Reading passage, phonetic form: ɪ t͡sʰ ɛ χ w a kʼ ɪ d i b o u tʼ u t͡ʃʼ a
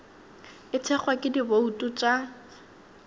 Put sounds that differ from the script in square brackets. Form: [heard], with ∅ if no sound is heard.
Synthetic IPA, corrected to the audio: ɪ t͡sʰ ɛ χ w a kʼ ɪ d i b o u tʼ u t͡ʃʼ a

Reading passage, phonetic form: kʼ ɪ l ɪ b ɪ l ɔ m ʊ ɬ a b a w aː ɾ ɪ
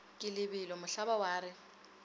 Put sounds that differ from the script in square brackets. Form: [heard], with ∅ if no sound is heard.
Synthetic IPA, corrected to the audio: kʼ ɪ l ɪ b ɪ l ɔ m ʊ ɬ a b a w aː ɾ ɪ

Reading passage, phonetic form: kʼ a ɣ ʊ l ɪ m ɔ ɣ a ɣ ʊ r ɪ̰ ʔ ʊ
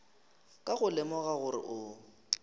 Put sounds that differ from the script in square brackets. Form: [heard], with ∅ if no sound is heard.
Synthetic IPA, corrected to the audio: kʼ a ɣ ʊ l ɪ m ɔ ɣ a ɣ ʊ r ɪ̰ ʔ ʊ

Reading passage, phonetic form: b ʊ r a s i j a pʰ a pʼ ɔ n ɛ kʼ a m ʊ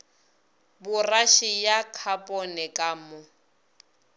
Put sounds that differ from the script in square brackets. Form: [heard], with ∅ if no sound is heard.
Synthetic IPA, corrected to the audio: b ʊ r a [ʃ] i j a [kʰ] a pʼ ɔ n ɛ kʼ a m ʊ

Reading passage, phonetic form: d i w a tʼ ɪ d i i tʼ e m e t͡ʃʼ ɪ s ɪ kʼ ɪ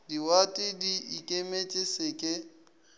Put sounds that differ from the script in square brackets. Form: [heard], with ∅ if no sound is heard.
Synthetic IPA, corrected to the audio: d i w a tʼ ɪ d i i [kʼ] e m e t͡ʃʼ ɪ s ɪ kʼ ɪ

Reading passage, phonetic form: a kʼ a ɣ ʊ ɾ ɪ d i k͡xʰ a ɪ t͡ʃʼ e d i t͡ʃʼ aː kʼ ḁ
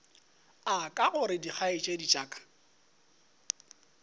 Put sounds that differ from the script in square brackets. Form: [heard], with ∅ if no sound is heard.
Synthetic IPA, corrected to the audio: a kʼ a ɣ ʊ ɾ ɪ d i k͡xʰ a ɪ t͡ʃʼ e d i t͡ʃʼ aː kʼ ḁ

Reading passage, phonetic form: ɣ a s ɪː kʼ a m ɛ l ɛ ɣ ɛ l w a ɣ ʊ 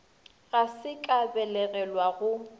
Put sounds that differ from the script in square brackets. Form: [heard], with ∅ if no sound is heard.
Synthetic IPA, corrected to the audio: ɣ a s [ɪ] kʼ a [b] ɛ l ɛ ɣ ɛ l w a ɣ ʊ

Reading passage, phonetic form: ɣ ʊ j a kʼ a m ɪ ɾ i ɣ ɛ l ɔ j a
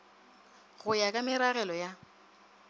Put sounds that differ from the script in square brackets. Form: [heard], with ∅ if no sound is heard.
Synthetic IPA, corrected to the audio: ɣ ʊ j a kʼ a m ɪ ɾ [a] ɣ ɛ l ɔ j a

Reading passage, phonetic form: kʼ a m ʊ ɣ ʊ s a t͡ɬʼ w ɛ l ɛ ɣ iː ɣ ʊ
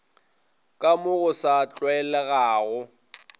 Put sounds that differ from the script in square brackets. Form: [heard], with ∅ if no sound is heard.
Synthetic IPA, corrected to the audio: kʼ a m ʊ ɣ ʊ s a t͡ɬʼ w ɛ l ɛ ɣ [aː] ɣ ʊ

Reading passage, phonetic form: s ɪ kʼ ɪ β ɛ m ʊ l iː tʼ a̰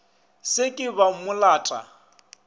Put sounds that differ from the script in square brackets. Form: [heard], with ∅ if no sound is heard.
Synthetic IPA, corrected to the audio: s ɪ kʼ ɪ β [a] m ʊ l [aː] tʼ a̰

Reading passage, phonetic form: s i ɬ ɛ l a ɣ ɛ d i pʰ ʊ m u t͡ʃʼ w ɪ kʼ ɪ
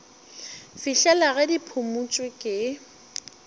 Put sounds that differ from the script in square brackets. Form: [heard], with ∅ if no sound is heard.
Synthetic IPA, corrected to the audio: [f] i ɬ ɛ l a ɣ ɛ d i pʰ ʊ m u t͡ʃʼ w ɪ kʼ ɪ

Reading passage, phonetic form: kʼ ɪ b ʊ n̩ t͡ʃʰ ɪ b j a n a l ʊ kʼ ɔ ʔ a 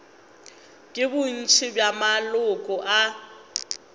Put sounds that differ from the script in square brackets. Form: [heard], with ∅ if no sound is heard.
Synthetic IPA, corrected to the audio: kʼ ɪ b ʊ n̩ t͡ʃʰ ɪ b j a [m] a l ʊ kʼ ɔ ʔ a

